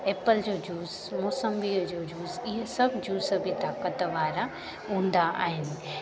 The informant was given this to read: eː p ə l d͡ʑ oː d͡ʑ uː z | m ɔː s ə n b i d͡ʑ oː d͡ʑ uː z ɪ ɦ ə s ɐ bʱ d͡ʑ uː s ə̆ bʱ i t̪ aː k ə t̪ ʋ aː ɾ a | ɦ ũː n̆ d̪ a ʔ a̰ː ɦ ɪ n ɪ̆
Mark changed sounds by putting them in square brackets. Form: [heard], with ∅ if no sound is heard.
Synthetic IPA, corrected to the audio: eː p ə l d͡ʑ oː d͡ʑ uː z | m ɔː s ə [m] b i d͡ʑ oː d͡ʑ uː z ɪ ɦ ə s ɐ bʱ d͡ʑ uː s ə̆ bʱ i t̪ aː k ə t̪ ʋ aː ɾ a | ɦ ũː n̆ d̪ a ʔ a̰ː ɦ ɪ n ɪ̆